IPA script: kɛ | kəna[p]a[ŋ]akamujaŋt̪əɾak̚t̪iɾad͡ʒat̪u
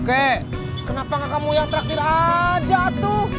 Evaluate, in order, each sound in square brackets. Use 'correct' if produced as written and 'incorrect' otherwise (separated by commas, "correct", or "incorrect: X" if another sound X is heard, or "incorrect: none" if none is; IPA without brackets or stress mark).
correct, correct